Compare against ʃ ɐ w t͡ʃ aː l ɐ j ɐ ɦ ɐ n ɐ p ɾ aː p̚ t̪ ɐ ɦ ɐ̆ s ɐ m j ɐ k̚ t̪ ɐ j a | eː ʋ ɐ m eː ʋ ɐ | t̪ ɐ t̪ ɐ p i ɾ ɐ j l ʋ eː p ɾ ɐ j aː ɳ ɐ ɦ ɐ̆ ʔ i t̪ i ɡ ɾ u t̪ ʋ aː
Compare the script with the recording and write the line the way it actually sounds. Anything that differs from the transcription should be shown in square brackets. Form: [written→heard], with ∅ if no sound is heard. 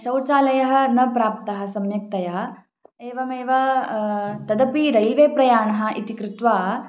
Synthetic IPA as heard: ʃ ɐ w t͡ʃ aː l ɐ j ɐ ɦ ɐ n ɐ p ɾ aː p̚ t̪ ɐ ɦ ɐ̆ s ɐ m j ɐ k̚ t̪ ɐ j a | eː ʋ ɐ m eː ʋ ɐ | t̪ ɐ [t̪→d̪] ɐ p i ɾ ɐ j l ʋ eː p ɾ ɐ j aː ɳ ɐ ɦ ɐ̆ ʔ i t̪ i [ɡ→k] ɾ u t̪ ʋ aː